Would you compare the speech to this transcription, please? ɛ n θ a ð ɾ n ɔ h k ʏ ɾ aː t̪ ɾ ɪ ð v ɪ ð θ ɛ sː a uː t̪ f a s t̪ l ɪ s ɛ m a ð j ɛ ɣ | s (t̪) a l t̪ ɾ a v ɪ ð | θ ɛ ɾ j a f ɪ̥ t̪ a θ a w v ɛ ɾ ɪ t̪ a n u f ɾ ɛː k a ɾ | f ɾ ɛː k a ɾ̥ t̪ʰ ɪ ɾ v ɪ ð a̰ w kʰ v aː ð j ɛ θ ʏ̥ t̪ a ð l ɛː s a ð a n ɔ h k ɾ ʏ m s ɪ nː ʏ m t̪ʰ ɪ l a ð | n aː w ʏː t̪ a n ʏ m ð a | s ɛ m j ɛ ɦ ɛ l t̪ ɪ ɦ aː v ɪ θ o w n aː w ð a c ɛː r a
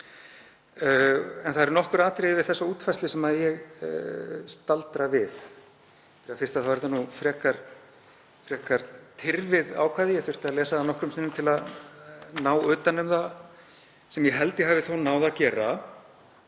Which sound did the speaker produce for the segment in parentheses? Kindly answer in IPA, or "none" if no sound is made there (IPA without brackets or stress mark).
t̪